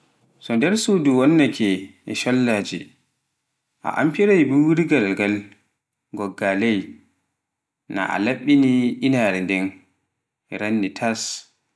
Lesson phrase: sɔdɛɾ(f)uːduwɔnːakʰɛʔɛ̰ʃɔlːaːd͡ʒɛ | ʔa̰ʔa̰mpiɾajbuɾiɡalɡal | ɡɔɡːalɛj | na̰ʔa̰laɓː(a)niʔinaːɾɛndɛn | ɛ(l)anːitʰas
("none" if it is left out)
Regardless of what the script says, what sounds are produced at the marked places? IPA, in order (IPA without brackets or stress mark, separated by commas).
s, i, ɾ